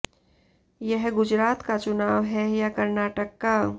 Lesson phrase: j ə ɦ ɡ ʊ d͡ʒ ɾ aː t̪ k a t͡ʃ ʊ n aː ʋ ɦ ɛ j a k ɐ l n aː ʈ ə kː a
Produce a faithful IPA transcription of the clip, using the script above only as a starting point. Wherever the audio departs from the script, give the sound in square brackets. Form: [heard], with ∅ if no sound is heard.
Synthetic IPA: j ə ɦ ɡ ʊ d͡ʒ ɾ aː t̪ k a t͡ʃ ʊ n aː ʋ ɦ ɛ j a k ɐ [ɾ] n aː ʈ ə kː a